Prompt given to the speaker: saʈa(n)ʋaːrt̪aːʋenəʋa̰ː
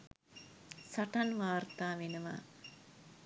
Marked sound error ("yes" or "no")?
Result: no